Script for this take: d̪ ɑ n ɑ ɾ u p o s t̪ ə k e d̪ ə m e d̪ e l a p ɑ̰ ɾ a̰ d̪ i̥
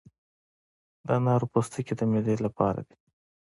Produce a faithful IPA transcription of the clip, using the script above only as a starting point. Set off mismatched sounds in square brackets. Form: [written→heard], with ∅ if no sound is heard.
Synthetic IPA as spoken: d̪ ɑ n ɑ ɾ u p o s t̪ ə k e d̪ ə m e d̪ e l a p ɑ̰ ɾ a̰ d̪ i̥